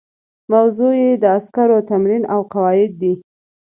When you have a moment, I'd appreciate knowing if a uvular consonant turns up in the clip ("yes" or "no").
yes